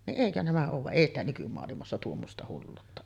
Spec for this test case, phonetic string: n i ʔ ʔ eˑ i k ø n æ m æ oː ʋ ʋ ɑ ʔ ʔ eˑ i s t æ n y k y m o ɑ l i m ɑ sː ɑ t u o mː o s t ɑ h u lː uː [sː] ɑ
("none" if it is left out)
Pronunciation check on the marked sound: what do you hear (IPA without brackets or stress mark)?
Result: tː